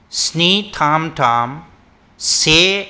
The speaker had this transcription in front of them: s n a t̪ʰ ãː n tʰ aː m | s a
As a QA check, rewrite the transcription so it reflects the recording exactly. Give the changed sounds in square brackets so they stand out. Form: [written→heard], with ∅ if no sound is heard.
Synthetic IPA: s n [a→i] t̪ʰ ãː [n→m] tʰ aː m | s [a→e]